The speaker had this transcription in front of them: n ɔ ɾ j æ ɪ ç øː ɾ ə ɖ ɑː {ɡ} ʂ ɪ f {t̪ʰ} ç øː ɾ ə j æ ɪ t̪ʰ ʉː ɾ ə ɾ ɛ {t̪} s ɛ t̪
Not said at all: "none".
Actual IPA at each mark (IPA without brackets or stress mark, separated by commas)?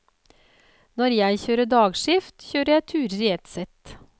ɡ, t̪, t̪